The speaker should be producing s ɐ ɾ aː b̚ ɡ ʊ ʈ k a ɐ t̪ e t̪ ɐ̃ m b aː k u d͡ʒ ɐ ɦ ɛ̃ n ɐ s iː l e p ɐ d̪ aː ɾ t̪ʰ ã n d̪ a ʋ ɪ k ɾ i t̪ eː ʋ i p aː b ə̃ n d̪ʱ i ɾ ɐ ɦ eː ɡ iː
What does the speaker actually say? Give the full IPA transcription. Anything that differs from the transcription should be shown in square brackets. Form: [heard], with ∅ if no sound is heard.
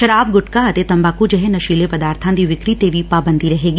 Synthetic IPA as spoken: [ʃ] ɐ ɾ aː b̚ ɡ ʊ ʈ k a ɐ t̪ e t̪ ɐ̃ m b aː k u d͡ʒ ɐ ɦ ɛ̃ n ɐ [ʃ] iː l e p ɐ d̪ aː ɾ t̪ʰ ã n d̪ [i] ʋ ɪ k ɾ i t̪ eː ʋ i p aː b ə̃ n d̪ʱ i ɾ ɐ ɦ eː ɡ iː